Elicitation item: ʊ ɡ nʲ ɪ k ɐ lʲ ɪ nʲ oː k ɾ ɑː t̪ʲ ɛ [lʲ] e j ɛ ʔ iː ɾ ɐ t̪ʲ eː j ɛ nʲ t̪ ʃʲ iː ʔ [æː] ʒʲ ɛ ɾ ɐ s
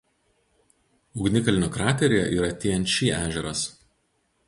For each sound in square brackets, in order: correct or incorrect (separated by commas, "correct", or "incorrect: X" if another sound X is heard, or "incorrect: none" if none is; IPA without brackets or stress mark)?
incorrect: ɾʲ, correct